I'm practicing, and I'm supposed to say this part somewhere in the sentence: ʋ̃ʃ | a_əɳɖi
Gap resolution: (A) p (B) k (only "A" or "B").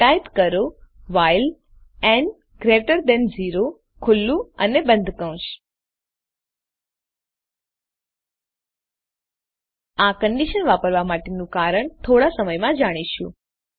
B